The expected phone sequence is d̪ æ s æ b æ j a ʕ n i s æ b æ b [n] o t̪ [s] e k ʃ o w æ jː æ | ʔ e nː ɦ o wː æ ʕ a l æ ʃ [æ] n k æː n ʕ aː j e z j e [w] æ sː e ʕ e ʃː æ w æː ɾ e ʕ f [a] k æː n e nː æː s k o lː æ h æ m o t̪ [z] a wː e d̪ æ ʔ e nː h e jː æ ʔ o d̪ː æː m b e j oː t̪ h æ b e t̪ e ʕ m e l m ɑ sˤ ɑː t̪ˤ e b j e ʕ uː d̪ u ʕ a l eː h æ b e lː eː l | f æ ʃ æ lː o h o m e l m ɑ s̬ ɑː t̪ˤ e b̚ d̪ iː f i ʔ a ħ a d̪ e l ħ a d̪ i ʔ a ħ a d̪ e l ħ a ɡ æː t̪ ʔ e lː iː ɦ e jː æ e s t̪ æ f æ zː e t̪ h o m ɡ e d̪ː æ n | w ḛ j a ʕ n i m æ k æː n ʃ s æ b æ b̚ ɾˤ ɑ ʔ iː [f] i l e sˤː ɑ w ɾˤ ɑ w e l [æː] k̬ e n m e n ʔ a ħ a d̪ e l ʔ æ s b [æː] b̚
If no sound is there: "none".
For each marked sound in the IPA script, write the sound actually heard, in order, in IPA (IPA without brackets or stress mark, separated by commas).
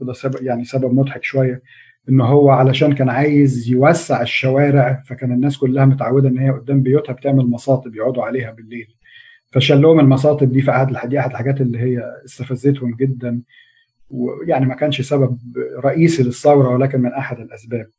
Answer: m, ħ, æː, w, æ, ʕ, s, æː, æː